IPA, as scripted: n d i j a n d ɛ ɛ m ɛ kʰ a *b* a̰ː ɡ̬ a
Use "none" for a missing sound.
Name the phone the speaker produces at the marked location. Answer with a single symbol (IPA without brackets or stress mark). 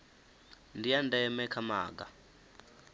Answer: m